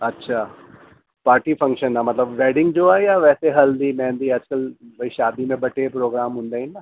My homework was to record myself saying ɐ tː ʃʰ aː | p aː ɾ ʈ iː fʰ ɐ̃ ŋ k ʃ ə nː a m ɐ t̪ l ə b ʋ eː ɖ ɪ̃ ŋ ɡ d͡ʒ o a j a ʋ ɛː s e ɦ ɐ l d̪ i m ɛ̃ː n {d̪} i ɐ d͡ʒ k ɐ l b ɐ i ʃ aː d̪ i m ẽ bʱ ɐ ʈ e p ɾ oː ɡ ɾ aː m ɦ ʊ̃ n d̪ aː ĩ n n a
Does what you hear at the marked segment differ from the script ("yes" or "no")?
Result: no